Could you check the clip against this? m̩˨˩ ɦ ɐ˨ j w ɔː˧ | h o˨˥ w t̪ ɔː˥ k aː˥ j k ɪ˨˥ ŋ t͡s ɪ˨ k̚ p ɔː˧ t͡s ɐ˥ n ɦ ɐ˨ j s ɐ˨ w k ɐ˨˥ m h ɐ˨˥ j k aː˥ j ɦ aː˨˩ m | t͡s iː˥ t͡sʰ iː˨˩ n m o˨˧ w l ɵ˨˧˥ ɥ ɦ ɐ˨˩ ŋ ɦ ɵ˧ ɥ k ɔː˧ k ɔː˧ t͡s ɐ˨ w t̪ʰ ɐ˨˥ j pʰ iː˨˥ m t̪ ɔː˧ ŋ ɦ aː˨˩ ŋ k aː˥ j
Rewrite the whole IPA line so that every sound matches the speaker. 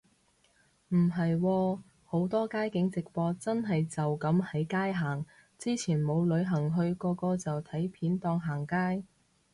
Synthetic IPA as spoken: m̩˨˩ ɦ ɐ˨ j w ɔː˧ | h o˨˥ w t̪ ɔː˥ k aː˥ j k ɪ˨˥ ŋ t͡s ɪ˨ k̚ p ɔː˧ t͡s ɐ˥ n ɦ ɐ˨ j t͡s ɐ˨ w k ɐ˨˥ m h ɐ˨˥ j k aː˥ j ɦ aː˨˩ ŋ | t͡s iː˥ t͡sʰ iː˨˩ n m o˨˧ w l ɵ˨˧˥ ɥ ɦ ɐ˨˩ ŋ ɦ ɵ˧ ɥ k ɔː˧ k ɔː˧ t͡s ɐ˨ w t̪ʰ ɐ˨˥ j pʰ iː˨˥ n t̪ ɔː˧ ŋ ɦ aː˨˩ ŋ k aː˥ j